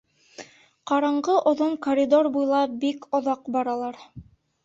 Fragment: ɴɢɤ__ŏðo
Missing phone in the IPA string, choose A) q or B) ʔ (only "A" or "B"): B